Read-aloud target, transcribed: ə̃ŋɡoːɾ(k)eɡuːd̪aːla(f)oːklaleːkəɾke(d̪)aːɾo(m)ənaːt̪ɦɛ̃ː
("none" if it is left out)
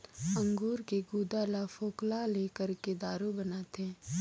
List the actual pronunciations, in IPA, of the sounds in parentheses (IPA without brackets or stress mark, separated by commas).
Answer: k, f, d̪, b